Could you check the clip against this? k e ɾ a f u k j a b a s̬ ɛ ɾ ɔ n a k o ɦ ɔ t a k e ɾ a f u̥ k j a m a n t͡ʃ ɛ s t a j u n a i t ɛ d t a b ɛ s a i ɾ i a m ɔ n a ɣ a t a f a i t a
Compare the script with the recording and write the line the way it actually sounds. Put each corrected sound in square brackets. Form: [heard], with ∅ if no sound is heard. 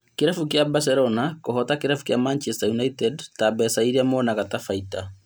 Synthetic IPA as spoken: k e ɾ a f u k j a b a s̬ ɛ ɾ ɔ n a k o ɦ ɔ t a k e ɾ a f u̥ k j a m a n t͡ʃ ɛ s t a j u n a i t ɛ d t a b ɛ s a i ɾ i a m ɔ n a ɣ a t a f a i t a